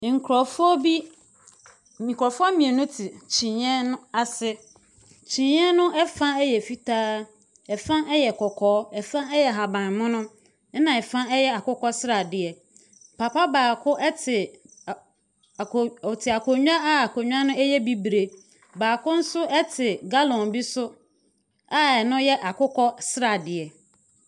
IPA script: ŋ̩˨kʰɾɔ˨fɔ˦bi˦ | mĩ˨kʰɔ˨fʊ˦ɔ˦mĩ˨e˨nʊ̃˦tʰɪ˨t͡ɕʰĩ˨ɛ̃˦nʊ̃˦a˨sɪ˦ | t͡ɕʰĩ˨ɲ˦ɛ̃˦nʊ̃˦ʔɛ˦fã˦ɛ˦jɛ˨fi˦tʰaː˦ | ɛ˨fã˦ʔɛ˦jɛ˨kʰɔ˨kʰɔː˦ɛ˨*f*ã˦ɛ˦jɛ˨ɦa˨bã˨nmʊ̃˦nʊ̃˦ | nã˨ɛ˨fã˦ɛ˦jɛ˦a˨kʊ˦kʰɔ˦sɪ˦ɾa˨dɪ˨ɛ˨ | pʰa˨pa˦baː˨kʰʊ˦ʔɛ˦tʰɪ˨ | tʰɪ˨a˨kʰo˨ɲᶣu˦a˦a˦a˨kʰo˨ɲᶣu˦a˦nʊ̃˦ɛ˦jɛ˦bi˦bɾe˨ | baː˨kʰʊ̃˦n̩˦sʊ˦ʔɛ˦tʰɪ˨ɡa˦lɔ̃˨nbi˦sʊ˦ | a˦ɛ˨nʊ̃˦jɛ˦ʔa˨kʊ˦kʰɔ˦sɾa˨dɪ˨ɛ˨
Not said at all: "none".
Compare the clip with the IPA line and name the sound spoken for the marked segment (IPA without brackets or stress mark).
f